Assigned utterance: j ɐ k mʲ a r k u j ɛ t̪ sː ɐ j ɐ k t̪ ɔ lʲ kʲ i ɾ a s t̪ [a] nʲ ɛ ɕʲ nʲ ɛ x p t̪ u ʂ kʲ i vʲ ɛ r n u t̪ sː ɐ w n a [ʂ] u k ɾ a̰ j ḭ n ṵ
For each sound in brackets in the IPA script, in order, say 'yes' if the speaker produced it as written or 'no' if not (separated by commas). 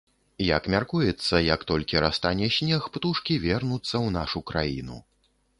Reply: yes, yes